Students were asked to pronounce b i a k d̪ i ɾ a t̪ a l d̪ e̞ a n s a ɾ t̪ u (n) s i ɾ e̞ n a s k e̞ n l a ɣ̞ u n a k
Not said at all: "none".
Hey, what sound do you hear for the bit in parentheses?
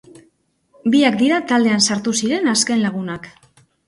none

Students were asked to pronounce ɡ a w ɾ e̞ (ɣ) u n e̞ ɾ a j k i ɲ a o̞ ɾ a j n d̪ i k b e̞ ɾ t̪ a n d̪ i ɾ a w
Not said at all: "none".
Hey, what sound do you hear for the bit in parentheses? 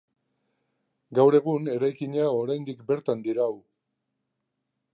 ɣ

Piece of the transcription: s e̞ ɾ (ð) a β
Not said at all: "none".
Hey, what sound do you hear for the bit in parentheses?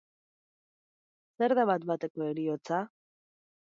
ð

